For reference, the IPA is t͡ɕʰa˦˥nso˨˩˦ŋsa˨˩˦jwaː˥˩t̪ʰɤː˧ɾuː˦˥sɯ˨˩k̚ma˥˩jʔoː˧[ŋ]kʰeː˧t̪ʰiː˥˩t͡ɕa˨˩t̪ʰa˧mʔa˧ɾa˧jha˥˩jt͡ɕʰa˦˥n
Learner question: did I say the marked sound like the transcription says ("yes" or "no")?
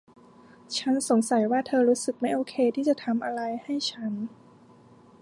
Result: no